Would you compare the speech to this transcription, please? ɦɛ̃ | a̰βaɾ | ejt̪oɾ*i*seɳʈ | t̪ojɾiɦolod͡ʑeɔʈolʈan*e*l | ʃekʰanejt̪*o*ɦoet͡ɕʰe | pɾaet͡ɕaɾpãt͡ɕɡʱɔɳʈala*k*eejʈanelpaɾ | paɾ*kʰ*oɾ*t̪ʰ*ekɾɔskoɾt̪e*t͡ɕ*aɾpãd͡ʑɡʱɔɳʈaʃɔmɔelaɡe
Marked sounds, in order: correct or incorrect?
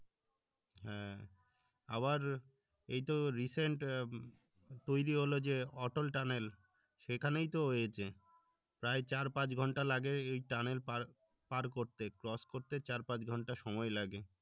correct, correct, correct, incorrect: ɡ, incorrect: k, incorrect: t̪, correct

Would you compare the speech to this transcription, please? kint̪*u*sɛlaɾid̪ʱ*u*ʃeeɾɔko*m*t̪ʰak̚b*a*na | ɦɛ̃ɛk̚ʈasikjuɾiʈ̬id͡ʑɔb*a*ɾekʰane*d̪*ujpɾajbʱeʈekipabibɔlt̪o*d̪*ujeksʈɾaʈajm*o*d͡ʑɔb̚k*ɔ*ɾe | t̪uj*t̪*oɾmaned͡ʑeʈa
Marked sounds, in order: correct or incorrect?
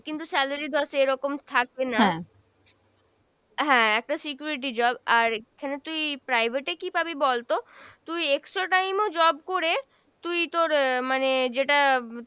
correct, incorrect: ɔ, correct, incorrect: e, correct, incorrect: t̪, incorrect: t̪, correct, incorrect: o, correct

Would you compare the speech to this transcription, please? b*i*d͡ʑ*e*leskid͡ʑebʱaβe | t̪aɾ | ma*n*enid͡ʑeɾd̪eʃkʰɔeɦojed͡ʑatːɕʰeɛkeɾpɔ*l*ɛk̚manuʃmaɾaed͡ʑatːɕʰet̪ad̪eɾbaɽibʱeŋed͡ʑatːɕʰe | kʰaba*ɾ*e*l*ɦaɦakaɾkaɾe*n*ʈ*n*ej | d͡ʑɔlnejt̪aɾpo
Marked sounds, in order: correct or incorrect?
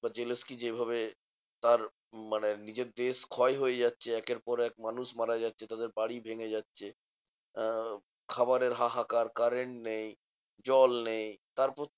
incorrect: a, correct, correct, incorrect: ɾ, correct, incorrect: ɾ, incorrect: ɳ, correct

